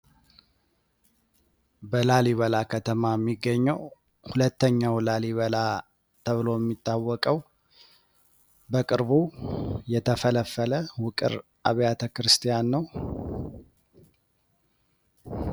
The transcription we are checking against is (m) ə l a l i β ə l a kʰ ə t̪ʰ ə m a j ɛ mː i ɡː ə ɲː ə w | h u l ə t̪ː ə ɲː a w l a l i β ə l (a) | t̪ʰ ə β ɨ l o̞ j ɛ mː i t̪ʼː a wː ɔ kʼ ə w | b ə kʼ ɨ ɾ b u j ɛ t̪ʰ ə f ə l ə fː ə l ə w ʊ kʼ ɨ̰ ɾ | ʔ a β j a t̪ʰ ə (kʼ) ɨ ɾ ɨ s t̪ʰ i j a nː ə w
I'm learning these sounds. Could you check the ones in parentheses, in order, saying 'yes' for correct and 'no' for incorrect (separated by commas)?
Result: no, yes, no